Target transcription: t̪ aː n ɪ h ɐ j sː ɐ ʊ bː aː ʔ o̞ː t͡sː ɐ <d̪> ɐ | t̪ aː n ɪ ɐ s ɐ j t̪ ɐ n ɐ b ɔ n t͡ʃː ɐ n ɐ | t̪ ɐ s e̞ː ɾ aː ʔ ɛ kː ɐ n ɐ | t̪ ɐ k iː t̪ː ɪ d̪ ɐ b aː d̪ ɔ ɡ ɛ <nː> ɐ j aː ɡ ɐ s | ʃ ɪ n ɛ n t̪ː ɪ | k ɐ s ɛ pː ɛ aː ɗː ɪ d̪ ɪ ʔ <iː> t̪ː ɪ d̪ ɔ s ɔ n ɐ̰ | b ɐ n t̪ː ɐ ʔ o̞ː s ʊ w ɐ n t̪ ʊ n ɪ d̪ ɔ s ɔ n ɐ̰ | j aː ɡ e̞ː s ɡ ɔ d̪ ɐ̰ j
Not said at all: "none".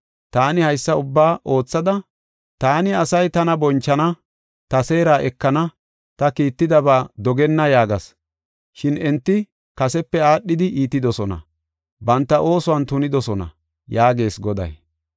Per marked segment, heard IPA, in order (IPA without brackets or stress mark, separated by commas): d̪, nː, iː